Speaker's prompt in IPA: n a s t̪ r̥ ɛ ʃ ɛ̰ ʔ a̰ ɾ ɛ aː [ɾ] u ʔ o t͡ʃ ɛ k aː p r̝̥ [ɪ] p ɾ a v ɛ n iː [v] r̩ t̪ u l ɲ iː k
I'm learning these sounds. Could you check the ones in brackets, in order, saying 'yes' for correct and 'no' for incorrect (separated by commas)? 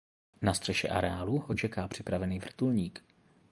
no, yes, yes